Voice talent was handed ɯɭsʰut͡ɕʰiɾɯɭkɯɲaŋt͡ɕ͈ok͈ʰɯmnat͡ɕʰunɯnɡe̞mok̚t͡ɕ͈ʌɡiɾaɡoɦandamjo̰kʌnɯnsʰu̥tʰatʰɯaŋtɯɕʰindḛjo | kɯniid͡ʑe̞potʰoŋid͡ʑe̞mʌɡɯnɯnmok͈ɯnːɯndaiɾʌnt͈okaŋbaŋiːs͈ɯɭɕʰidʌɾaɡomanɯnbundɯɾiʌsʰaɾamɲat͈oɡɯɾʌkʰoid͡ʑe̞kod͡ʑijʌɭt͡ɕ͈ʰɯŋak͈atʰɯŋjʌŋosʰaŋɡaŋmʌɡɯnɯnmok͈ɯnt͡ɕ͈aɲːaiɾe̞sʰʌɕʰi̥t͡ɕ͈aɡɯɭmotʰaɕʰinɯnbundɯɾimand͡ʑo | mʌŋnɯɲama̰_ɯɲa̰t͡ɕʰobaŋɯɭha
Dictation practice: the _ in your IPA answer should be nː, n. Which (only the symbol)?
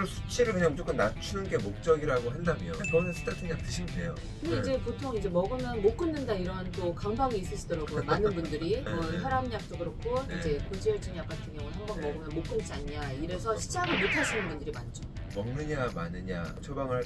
n